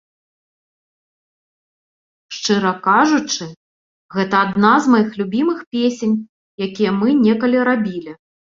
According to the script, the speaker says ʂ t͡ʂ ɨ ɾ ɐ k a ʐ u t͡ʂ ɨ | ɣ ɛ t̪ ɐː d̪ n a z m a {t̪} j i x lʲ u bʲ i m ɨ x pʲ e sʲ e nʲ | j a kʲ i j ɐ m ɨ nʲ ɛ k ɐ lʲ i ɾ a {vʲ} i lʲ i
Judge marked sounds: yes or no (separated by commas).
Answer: no, no